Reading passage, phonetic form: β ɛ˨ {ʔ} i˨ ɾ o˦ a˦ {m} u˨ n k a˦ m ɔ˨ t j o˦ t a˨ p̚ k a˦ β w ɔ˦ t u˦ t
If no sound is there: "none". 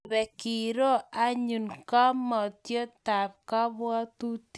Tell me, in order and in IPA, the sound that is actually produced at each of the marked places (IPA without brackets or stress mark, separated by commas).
k, ɲ